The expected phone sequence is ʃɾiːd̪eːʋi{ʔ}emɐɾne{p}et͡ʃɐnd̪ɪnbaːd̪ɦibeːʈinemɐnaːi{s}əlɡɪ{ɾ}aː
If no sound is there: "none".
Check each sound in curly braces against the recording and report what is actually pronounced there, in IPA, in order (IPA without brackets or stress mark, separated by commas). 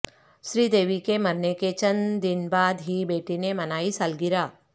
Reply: k, k, s, ɾ